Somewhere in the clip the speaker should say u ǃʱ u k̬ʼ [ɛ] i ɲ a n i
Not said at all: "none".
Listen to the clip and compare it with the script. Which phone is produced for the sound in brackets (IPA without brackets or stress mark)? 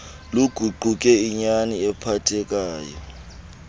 ɛ